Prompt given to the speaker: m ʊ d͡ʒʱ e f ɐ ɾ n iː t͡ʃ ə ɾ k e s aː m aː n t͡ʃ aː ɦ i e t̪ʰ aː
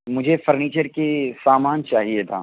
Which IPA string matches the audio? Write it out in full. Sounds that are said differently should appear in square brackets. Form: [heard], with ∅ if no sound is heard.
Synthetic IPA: m ʊ d͡ʒʱ e f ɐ ɾ n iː t͡ʃ ə ɾ k e s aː m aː n t͡ʃ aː ɦ i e t̪ʰ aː